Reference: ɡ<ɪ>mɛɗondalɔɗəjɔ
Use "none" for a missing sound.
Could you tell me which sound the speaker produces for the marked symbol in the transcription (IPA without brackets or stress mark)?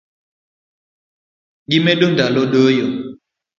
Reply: i